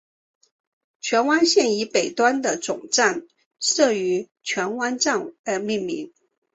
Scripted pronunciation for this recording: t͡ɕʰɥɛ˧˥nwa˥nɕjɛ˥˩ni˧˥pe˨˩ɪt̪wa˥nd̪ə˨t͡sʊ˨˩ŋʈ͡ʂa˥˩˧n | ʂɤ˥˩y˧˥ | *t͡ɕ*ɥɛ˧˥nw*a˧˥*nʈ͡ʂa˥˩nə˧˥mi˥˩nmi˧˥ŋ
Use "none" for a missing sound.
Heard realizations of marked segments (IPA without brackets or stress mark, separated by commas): t͡ɕʰ, a˥